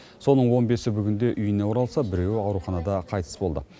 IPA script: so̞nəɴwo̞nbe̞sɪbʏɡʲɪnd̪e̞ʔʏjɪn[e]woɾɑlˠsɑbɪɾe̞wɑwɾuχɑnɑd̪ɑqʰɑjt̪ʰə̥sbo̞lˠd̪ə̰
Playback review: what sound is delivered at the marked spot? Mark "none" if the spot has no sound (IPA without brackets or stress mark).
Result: e